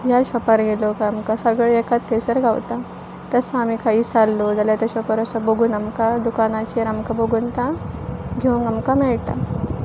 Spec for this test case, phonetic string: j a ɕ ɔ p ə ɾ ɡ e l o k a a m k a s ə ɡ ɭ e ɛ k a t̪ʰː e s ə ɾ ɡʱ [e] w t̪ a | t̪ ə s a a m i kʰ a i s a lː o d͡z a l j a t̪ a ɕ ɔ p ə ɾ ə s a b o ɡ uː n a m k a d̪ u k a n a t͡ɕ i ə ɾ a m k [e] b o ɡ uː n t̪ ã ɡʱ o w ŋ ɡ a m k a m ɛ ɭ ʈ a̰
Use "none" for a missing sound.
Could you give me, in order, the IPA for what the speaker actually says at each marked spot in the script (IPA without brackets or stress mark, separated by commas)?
a, a